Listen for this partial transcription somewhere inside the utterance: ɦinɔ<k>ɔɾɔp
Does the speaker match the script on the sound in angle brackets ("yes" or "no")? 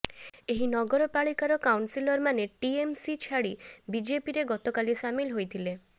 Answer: no